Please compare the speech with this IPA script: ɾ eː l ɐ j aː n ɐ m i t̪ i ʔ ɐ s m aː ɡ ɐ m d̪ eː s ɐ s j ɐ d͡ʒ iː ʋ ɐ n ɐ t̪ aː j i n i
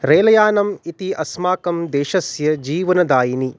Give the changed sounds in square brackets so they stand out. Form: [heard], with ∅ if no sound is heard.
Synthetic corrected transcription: ɾ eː l ɐ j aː n ɐ m i t̪ i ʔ ɐ s m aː [k] ɐ m d̪ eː [ʃ] ɐ s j ɐ d͡ʒ iː ʋ ɐ n ɐ [d̪] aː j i n i

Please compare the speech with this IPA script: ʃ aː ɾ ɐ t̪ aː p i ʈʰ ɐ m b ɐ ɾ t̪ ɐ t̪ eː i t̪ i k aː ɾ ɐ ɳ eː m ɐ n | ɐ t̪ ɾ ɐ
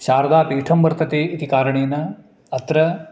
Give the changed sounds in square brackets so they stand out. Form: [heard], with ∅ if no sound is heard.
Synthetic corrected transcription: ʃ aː ɾ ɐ [d̪] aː p [iː] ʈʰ ɐ m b ɐ ɾ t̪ ɐ t̪ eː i t̪ i k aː ɾ ɐ ɳ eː [n] ɐ [∅] | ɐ t̪ ɾ ɐ

